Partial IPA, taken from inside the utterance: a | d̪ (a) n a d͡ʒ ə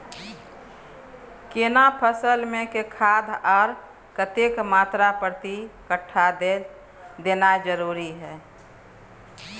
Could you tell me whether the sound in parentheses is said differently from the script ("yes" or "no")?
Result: yes